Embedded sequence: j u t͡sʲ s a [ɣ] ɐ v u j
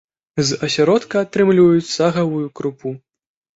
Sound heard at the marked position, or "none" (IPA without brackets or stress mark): ɣ